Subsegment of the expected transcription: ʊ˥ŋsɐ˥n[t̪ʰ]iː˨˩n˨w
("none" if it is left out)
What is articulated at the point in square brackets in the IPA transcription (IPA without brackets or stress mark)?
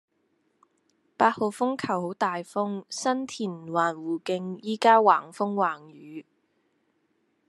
t̪ʰ